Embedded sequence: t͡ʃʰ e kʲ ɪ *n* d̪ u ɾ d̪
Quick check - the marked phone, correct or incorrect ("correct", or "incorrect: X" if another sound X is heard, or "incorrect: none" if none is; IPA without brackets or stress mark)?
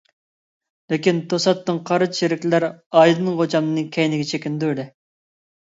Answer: correct